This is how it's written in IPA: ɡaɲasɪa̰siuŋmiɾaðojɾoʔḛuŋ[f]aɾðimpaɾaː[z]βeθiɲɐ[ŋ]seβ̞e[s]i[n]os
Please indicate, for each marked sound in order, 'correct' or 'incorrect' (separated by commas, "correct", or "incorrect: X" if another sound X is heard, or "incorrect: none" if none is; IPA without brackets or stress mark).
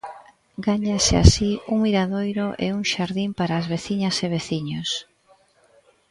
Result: incorrect: ʃ, correct, incorrect: none, incorrect: θ, incorrect: ɲ